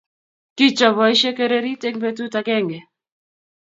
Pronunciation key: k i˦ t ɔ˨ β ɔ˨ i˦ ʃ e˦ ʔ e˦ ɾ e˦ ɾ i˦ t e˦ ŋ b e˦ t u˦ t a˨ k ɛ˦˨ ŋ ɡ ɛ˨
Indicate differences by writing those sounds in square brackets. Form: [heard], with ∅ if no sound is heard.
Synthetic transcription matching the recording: k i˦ [t͡ʃ] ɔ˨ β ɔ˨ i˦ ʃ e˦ [k] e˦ ɾ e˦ ɾ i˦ t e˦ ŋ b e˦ t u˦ t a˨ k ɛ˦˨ ŋ ɡ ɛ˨

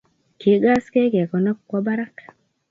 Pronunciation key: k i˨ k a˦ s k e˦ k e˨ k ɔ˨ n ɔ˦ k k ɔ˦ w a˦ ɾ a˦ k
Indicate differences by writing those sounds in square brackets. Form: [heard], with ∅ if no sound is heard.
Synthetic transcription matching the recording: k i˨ [ɡ] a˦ s k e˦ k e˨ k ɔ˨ n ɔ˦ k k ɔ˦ [b] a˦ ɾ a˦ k

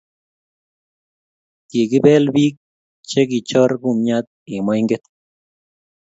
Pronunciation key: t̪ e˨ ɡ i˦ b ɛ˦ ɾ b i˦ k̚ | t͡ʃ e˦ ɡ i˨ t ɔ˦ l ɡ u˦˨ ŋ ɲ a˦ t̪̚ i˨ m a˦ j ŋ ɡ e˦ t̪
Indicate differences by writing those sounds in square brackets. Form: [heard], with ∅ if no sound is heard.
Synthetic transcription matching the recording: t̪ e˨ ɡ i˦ b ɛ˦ [l] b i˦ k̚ | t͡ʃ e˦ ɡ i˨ [t͡ʃ] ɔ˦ [ɾ] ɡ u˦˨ [m] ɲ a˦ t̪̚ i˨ m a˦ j ŋ ɡ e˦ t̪

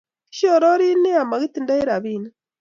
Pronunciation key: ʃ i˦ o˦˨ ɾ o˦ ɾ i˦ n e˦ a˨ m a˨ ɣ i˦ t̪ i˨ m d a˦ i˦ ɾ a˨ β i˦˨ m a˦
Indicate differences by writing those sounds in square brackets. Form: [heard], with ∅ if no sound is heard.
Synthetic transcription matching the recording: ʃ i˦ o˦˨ ɾ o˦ ɾ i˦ n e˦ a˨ m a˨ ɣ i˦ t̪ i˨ [n] d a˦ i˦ ɾ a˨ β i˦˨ [n] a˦

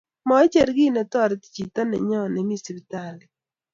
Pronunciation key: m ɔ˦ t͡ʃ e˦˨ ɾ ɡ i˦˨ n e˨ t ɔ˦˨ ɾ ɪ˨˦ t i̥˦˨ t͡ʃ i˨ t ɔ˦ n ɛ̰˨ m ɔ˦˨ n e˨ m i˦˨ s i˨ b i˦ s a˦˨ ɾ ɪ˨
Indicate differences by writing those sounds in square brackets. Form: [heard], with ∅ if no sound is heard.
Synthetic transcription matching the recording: m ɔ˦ t͡ʃ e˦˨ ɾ ɡ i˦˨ n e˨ t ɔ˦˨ ɾ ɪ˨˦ t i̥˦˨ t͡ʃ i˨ t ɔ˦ n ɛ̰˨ [ɲ] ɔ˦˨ n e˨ m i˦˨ s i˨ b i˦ [t] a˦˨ [l] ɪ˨

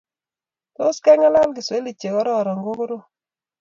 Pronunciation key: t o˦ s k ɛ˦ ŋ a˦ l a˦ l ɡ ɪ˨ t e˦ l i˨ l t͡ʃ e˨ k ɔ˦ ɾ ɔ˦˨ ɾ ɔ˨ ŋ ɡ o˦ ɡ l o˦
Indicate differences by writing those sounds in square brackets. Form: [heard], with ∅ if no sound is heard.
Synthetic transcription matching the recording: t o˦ s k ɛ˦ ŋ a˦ l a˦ l ɡ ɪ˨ [s] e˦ l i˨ [∅] t͡ʃ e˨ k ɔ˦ ɾ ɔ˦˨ ɾ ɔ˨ ŋ ɡ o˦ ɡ [ɾ] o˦

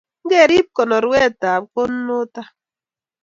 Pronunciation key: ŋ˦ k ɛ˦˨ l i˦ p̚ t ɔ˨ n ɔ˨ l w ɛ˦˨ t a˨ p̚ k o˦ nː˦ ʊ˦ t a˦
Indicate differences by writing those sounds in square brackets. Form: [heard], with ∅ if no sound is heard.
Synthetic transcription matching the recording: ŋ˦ [ɡ] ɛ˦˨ [ɾ] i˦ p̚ [k] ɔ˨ n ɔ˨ [ɾ] w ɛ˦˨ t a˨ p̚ k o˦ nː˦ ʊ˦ t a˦

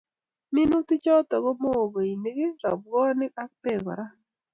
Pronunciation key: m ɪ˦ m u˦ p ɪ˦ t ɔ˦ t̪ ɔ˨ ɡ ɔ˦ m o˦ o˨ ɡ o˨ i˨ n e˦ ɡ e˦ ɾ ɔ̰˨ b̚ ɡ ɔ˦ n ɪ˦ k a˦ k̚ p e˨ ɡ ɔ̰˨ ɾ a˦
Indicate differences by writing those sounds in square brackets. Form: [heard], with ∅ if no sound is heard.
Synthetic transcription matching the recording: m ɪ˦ [n] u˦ [t] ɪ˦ [t͡ʃ] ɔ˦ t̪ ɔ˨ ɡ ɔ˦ m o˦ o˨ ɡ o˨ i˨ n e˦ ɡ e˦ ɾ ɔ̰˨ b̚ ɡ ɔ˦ n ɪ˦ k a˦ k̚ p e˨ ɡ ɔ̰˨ ɾ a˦

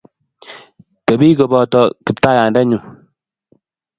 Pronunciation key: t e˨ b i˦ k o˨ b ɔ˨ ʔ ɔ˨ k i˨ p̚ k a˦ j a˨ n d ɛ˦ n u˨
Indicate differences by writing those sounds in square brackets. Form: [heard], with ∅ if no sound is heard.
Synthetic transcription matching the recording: t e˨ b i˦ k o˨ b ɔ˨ [t] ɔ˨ k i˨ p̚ [t] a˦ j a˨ n d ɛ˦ [ɲ] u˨

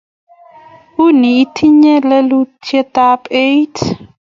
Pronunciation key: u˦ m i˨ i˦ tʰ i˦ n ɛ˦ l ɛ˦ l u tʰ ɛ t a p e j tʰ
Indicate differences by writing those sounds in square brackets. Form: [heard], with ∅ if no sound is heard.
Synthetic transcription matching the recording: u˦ [n] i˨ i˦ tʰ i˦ [ɲ] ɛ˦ l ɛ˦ l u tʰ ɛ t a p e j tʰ

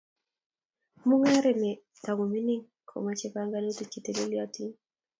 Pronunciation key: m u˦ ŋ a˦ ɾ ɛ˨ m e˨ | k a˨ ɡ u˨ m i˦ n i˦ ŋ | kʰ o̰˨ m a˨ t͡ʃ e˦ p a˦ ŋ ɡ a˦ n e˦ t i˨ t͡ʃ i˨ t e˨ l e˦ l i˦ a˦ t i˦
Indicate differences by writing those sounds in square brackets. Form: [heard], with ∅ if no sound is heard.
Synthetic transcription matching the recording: m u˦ ŋ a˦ ɾ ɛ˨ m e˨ | [t] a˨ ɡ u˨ m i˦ n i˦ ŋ | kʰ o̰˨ m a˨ t͡ʃ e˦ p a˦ ŋ ɡ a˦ n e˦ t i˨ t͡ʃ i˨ t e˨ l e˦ l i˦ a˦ t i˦

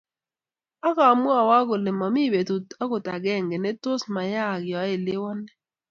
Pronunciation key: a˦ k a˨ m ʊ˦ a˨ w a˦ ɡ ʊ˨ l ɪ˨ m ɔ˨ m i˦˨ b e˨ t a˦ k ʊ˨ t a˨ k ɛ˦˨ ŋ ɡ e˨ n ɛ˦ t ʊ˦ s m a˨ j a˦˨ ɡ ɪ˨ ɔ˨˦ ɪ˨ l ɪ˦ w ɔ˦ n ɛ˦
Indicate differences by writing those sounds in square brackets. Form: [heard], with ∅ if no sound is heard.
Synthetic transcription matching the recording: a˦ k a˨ m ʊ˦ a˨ w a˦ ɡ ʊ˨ l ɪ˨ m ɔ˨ m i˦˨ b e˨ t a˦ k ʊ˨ t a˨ [ɡ] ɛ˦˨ ŋ ɡ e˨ n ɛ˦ t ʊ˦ s m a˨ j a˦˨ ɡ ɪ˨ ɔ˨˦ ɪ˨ l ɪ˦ w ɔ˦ n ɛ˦

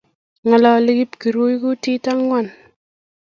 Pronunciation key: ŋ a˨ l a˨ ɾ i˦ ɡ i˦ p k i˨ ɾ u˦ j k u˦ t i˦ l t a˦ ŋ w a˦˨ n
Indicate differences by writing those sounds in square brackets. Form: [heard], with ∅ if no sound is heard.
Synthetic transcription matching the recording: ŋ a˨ l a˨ [l] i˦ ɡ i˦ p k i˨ ɾ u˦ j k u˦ t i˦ [∅] t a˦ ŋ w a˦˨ n

